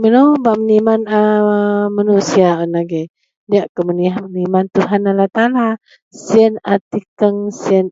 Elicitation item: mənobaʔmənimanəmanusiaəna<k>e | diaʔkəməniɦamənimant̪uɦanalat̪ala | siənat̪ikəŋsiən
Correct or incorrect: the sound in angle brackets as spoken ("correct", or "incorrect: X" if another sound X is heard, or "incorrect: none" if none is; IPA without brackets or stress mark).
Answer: incorrect: ɡ